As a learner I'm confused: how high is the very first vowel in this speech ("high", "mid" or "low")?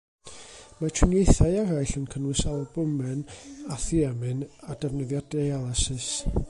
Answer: low